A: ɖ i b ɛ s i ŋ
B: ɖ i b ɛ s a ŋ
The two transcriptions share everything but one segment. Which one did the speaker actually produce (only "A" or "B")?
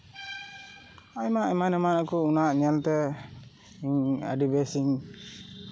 A